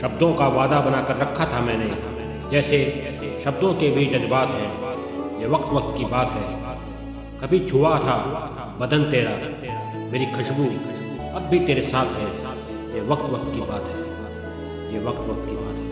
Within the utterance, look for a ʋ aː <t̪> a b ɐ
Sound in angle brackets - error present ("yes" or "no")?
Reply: yes